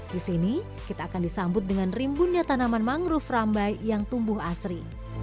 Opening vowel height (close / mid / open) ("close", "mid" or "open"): close